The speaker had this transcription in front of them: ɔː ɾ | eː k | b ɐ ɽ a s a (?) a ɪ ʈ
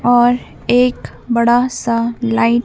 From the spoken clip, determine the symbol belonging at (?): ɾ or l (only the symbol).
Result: l